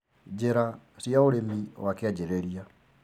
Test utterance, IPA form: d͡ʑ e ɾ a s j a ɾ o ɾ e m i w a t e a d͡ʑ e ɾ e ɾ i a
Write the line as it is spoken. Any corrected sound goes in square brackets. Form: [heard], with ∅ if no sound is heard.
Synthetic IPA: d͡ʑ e ɾ a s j a [∅] o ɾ e m i w a [k] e a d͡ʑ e ɾ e ɾ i a